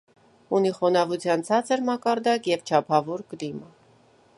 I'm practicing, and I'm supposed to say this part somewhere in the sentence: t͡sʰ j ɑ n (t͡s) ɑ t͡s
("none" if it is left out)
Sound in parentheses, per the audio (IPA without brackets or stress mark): t͡sʰ